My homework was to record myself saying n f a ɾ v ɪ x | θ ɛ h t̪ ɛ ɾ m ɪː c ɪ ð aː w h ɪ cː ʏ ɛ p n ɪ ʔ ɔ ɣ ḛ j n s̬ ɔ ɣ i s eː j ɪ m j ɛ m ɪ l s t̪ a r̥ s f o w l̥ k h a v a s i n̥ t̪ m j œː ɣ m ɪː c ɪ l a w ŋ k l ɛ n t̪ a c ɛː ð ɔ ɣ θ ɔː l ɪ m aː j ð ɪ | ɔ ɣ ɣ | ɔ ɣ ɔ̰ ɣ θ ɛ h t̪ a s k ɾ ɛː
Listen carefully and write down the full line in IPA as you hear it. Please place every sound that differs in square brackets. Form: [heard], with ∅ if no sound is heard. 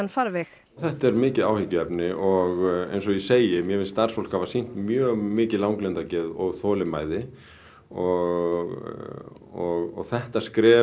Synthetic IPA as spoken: n f a ɾ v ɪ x | θ ɛ h t̪ ɛ ɾ m ɪː c ɪ ð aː w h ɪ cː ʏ ɛ p n ɪ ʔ ɔ ɣ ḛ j n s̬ ɔ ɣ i s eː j ɪ m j ɛ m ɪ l s t̪ a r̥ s f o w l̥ k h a v a s i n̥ t̪ m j œː ɣ m ɪː c ɪ l a w ŋ k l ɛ n t̪ a c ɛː ð ɔ ɣ θ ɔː l ɪ m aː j ð ɪ | ɔ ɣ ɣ | ɔ ɣ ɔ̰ ɣ θ ɛ h t̪ a s k ɾ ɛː